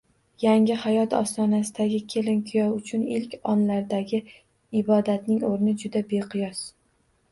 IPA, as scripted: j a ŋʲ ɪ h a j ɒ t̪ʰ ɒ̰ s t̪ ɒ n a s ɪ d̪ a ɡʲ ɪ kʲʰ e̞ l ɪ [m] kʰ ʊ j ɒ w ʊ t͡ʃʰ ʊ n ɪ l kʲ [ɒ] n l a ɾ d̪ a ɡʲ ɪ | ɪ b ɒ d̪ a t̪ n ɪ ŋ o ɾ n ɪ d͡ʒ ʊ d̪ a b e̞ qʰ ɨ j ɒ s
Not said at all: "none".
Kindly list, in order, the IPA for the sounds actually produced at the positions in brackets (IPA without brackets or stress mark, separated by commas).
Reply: n, ɒ